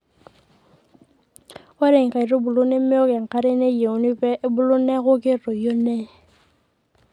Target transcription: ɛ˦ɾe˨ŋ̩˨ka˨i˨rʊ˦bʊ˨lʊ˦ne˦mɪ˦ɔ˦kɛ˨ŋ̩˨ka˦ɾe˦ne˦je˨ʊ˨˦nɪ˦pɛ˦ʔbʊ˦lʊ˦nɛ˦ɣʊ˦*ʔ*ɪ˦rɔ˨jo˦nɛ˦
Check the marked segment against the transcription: incorrect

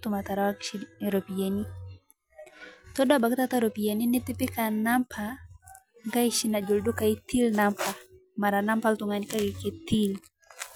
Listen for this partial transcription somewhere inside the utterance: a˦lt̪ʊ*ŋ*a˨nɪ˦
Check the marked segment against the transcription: correct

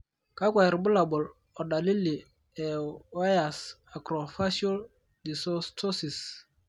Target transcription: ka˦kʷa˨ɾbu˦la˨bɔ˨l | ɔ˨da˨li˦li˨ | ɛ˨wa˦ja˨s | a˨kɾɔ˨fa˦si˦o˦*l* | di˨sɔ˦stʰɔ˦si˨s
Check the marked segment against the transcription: correct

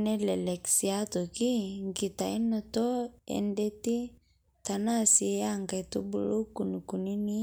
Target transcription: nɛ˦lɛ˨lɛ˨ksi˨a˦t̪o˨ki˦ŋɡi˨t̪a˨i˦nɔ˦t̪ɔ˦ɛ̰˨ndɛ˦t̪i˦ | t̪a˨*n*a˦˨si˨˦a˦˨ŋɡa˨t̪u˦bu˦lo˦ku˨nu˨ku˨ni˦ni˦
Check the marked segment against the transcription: correct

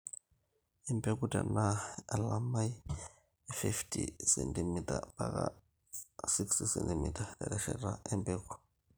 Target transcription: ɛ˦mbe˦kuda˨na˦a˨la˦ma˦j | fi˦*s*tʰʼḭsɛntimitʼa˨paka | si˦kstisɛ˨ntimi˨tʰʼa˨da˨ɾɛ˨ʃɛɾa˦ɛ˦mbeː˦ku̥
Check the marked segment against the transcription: incorrect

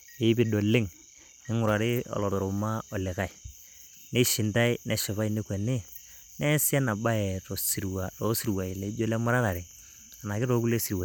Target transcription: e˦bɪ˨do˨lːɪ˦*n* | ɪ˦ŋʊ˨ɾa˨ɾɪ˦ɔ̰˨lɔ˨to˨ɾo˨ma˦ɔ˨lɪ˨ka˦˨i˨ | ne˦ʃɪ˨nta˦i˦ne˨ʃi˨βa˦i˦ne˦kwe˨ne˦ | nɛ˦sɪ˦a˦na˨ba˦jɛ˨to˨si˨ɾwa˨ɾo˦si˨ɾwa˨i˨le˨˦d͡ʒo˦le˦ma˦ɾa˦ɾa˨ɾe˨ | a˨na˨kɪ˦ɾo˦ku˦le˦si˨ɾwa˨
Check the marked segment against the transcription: incorrect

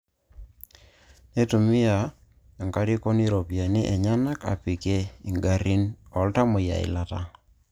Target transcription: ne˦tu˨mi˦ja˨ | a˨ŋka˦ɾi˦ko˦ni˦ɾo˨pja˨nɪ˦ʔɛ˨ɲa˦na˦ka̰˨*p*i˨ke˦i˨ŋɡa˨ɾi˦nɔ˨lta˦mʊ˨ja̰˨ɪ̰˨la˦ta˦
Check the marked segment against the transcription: correct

